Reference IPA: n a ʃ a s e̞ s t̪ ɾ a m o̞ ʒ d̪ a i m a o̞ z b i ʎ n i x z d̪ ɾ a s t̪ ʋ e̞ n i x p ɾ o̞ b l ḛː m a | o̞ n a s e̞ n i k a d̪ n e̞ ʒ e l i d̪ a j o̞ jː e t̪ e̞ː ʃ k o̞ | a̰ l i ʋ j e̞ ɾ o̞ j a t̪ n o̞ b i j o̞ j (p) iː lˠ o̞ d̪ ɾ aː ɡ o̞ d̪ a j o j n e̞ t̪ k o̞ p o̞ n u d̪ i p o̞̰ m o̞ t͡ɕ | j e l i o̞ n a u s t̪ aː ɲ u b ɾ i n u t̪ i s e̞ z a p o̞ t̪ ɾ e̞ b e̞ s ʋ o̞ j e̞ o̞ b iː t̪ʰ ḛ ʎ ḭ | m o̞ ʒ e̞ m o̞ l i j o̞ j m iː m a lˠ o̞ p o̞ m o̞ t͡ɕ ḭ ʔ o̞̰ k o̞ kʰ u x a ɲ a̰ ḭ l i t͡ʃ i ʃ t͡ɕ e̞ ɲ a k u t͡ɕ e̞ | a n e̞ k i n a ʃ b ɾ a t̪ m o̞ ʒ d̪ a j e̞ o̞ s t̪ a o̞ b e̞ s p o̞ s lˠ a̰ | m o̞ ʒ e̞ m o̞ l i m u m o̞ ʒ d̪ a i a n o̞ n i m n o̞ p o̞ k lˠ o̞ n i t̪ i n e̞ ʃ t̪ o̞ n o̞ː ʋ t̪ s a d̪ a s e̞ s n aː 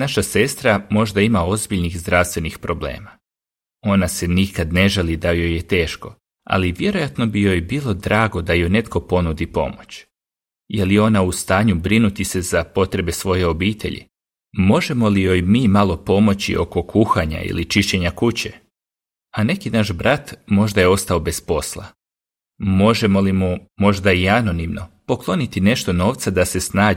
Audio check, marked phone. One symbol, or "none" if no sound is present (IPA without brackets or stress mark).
b